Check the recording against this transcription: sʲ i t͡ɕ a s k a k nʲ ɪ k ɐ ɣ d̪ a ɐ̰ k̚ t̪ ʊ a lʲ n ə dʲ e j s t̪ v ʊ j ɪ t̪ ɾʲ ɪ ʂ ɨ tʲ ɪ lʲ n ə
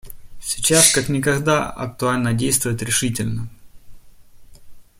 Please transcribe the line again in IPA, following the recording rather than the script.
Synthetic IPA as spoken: sʲ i t͡ɕ a s k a k nʲ ɪ k ɐ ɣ d̪ a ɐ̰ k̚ t̪ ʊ a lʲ n ə dʲ e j s t̪ v ʊ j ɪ t̪ ɾʲ ɪ ʂ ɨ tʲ ɪ lʲ n ə